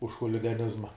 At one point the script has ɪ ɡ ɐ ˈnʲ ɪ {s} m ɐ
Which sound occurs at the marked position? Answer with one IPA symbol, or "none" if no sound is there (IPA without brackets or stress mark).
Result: z